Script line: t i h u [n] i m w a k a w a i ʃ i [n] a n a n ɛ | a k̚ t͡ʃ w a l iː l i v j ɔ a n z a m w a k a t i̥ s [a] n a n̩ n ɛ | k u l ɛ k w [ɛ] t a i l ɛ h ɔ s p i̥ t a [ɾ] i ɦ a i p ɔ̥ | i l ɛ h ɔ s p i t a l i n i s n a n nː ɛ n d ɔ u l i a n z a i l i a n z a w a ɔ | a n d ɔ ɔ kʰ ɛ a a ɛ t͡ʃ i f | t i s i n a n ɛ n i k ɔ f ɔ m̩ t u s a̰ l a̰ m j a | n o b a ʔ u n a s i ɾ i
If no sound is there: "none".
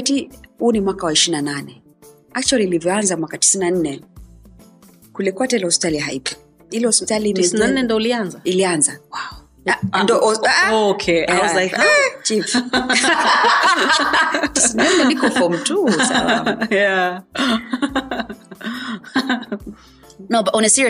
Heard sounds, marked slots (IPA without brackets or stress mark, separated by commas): n, n, i, a, l